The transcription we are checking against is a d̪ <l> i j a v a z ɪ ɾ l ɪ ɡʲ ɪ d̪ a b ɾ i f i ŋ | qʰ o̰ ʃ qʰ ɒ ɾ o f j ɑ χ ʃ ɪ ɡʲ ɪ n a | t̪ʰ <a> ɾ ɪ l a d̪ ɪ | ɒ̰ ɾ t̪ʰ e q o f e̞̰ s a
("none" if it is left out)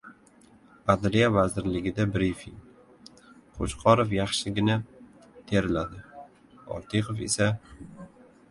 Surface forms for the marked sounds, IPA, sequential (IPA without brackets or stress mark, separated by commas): ɾ, e